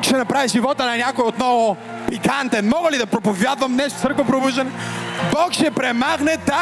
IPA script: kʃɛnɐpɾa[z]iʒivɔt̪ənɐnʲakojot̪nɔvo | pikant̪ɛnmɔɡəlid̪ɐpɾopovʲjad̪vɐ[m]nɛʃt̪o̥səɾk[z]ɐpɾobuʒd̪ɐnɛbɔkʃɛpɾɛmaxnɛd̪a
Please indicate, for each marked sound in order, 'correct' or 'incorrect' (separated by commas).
incorrect, correct, incorrect